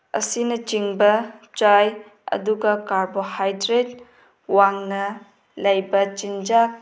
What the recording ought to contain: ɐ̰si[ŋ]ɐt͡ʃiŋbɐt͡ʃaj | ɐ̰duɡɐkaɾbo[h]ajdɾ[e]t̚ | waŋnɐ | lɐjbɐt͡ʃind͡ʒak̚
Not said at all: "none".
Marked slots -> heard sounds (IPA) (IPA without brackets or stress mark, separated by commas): n, h, e